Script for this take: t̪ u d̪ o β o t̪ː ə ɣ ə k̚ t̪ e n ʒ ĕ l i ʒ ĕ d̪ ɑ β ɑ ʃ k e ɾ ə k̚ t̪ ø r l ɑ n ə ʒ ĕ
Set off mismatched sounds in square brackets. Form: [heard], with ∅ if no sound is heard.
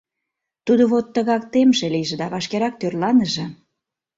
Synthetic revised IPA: t̪ u d̪ o β o t̪ː ə ɣ [ɑ] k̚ t̪ e [m] ʒ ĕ l i ʒ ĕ d̪ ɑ β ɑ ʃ k e ɾ [ɑ] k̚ t̪ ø r l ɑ n ə ʒ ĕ